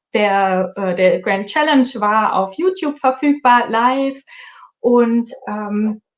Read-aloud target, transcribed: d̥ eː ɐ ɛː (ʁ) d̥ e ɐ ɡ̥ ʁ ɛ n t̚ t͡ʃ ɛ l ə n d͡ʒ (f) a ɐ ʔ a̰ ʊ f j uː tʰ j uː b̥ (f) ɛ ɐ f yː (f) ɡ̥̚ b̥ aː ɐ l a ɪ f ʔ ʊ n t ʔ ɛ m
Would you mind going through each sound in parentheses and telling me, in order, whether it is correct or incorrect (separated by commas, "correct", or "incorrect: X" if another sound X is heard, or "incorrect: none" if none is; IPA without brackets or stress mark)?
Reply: incorrect: none, incorrect: v, correct, incorrect: none